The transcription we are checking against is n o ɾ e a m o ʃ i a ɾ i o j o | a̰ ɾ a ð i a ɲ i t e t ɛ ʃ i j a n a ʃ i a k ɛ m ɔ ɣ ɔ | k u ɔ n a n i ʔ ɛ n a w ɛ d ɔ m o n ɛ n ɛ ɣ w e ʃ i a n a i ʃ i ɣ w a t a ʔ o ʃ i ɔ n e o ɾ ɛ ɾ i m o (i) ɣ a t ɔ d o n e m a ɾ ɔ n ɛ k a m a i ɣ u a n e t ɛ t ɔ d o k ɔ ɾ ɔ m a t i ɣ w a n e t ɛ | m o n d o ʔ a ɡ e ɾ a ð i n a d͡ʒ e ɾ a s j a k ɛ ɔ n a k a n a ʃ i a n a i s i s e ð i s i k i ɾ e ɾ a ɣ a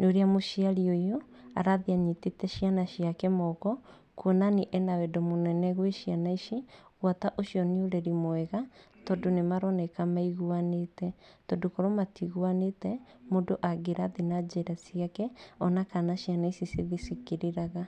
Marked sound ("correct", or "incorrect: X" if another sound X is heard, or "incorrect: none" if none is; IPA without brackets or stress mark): incorrect: ɛ